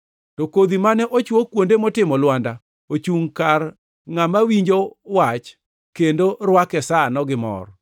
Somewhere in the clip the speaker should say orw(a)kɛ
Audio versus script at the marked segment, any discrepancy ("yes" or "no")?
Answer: no